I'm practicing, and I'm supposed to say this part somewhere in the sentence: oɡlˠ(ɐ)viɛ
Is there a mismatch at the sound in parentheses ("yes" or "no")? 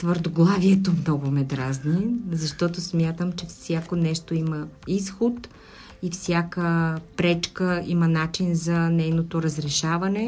yes